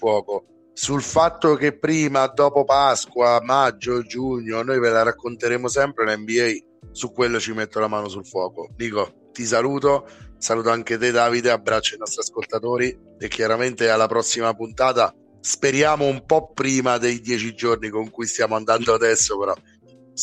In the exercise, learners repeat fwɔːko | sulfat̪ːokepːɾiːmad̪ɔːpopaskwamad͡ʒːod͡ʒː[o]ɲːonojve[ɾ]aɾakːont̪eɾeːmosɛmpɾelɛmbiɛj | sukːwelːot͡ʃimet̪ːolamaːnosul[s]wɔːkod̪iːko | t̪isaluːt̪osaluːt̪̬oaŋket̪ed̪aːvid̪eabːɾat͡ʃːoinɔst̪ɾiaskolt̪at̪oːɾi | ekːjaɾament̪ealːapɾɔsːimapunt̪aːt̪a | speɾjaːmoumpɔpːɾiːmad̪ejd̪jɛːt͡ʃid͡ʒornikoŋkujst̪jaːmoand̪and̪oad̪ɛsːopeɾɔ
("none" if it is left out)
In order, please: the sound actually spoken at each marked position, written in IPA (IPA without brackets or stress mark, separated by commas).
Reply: u, l, f